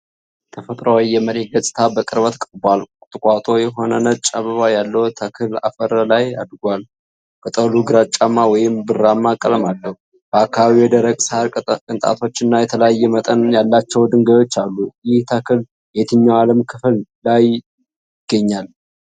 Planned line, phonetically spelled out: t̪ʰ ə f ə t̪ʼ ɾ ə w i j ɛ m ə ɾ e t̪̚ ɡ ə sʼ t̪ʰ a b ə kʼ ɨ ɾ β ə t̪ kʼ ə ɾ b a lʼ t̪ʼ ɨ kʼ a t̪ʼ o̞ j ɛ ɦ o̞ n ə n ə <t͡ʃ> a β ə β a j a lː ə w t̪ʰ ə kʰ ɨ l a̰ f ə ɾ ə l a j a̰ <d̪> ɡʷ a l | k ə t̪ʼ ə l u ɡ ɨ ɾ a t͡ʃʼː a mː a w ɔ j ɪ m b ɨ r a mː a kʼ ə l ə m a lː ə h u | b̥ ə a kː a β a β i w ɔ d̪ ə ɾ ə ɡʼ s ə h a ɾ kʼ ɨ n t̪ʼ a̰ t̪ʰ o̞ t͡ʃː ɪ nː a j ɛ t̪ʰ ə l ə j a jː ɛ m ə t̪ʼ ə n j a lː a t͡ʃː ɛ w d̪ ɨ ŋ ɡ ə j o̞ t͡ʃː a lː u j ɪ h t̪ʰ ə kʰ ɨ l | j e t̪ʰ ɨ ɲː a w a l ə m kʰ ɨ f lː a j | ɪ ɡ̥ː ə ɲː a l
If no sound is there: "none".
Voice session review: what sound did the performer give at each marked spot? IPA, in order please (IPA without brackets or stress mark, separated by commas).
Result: t͡ʃʼ, d̪